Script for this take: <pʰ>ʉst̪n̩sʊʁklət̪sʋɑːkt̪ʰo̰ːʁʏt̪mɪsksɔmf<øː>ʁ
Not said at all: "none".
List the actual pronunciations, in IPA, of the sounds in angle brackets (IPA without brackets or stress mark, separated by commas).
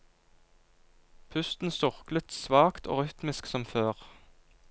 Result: pʰ, øː